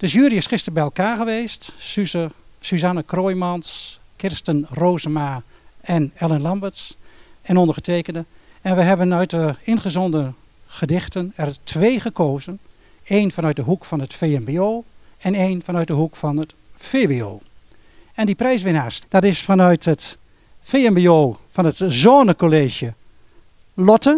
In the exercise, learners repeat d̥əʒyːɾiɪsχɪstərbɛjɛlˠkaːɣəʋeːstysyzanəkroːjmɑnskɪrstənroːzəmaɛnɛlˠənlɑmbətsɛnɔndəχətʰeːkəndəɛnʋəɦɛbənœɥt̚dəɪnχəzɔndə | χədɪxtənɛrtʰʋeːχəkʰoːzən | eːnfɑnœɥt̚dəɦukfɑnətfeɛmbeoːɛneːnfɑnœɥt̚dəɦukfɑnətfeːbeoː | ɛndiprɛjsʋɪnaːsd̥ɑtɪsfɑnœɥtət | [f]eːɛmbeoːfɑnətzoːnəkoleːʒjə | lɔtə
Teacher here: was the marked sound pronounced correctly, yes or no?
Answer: yes